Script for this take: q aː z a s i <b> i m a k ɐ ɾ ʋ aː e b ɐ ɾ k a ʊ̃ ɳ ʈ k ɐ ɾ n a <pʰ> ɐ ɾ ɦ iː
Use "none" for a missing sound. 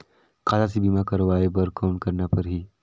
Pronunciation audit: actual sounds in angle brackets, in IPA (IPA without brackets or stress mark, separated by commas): b, p